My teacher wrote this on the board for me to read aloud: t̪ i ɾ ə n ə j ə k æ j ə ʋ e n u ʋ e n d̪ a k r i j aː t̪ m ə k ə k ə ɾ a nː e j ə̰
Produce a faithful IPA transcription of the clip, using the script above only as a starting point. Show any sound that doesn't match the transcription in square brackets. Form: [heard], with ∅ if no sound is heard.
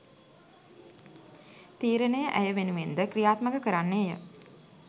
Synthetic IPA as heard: t̪ [iː] ɾ ə n ə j ə [ʔ] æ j ə ʋ e n u ʋ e n d̪ [ə] k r i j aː t̪ m ə k ə k ə ɾ a nː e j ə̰

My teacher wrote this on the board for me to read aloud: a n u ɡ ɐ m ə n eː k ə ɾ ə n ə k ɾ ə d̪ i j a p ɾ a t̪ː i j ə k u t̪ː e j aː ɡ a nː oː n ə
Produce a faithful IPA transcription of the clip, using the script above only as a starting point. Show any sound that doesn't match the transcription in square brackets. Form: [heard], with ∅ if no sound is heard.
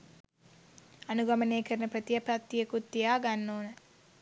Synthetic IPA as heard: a n u ɡ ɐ m ə n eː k ə ɾ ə n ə [p] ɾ ə [t̪] i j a p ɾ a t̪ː i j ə k u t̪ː [i] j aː ɡ a nː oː n ə

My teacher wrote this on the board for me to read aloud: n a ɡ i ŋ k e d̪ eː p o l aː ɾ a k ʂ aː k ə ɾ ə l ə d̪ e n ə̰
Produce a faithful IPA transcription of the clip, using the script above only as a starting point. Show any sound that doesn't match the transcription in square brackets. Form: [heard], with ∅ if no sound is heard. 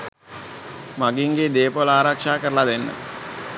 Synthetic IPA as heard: [m] a ɡ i ŋ [ɡ] e d̪ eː p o l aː ɾ a k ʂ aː k ə ɾ ə l [a] d̪ e [nː] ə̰

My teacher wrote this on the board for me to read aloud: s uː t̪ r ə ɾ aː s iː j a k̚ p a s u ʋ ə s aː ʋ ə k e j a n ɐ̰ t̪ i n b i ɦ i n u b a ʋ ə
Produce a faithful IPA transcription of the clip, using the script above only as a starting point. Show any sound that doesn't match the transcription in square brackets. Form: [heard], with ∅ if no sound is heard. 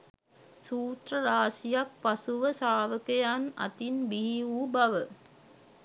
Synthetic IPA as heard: s uː t̪ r ə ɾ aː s [i] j a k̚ p a s u ʋ ə s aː ʋ ə k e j a n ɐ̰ t̪ i n b i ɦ i [∅] u b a ʋ ə

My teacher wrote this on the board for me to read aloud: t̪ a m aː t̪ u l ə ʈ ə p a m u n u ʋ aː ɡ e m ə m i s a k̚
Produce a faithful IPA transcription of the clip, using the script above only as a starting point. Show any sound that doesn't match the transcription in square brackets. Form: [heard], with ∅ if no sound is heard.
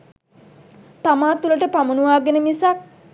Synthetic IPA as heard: t̪ a m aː t̪ u l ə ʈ ə p a m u n u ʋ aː ɡ e [n] ə m i s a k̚

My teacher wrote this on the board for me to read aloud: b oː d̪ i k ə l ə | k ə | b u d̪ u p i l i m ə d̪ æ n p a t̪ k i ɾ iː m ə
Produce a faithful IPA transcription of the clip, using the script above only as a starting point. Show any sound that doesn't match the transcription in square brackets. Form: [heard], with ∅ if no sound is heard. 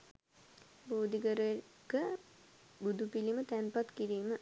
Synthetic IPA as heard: b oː d̪ i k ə [ɾ] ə | k ə | b u d̪ u p i l i m ə [t̪] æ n p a t̪ k i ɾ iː m ə

